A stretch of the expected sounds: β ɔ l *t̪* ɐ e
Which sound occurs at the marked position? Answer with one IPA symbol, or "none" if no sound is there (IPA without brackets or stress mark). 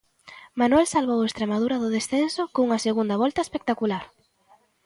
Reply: t̪